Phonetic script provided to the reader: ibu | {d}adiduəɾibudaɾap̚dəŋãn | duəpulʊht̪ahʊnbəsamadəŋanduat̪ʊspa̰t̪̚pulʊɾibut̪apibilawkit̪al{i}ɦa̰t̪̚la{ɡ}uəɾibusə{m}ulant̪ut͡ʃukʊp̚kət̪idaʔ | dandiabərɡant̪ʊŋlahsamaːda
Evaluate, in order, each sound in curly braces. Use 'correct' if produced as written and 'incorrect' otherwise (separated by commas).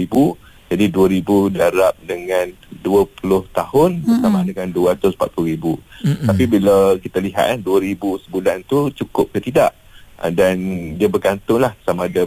incorrect, correct, incorrect, incorrect